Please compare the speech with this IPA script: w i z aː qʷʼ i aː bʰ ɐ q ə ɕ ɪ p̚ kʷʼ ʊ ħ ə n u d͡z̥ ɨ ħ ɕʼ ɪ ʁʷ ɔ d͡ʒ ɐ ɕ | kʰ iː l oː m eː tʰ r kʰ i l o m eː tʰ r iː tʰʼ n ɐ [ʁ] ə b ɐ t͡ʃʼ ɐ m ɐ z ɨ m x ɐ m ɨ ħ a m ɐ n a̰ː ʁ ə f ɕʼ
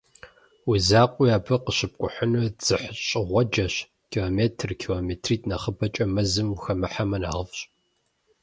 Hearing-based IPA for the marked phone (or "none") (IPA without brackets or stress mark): χ